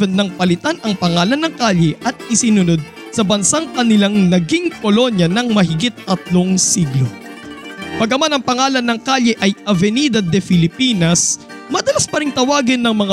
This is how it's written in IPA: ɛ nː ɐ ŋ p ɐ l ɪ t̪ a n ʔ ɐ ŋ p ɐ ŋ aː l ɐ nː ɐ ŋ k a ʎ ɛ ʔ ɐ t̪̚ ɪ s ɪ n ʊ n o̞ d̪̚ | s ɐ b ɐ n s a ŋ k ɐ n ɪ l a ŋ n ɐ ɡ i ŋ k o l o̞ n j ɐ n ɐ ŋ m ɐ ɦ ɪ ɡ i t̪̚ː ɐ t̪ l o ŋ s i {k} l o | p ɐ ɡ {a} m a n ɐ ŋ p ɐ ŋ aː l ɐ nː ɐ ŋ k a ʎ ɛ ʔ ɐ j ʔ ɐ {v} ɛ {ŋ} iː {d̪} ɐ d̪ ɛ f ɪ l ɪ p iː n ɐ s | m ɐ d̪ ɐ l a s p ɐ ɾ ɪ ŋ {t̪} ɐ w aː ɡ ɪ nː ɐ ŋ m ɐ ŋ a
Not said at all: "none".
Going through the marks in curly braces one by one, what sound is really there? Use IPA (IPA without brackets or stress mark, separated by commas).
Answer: ɡ, ɐ, v, n, d̪, t̪